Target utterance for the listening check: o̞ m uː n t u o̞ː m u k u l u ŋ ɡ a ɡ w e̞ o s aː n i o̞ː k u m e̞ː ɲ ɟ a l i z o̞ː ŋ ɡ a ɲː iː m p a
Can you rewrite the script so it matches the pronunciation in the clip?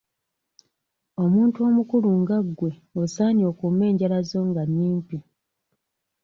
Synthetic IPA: o̞ m uː n t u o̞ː m u k u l u ŋ ɡ a ɡ w e̞ o s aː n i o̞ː k u m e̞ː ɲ ɟ a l a z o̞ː ŋ ɡ a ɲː iː m p i